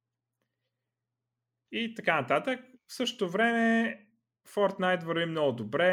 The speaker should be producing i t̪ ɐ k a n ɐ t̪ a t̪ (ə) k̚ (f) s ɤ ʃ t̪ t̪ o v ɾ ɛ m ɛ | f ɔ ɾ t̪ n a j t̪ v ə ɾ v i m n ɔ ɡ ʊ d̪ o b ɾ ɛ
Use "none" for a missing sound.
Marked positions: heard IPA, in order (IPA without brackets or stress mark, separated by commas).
ə, f